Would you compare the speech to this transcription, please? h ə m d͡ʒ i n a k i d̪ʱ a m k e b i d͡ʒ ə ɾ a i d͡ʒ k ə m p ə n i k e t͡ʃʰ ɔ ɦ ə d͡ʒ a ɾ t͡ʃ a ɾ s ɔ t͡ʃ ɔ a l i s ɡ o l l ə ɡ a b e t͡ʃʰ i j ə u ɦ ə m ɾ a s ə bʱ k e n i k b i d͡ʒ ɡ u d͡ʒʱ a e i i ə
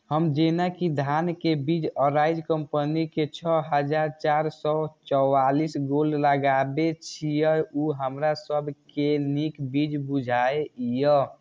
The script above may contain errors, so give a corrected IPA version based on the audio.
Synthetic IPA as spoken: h ə m d͡ʒ e n a k i d̪ʱ a n k e b i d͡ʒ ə ɾ a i d͡ʒ k ə m p ə n i k e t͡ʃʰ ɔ ɦ ə d͡ʒ a ɾ t͡ʃ a ɾ s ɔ t͡ʃ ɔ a l i s ɡ o l l ə ɡ a b e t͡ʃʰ i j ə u ɦ ə m ɾ a s ə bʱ k e n i k b i d͡ʒ b u d͡ʒʱ a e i j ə